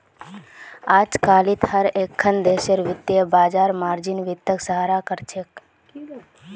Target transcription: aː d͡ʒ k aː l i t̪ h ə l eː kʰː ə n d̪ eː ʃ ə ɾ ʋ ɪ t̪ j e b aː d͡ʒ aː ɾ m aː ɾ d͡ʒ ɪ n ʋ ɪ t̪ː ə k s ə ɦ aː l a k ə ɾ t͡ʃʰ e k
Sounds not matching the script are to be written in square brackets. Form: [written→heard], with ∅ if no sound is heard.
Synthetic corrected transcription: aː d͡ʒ k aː l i t̪ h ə [l→ɾ] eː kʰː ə n d̪ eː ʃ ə ɾ ʋ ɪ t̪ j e b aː d͡ʒ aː ɾ m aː ɾ d͡ʒ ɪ n ʋ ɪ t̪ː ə k s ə ɦ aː [l→ɾ] a k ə ɾ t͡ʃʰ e k